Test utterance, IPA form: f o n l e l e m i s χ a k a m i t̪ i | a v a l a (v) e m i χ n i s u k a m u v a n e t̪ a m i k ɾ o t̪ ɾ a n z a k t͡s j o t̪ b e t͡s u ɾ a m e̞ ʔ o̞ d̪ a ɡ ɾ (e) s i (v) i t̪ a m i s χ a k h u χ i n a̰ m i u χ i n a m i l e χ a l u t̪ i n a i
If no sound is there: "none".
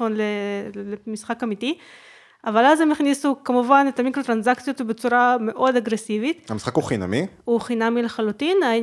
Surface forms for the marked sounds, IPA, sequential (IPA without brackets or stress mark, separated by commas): z, e, v